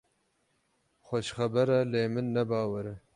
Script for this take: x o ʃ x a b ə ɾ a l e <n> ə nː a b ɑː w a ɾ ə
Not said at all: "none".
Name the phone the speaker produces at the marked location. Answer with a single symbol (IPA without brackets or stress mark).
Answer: m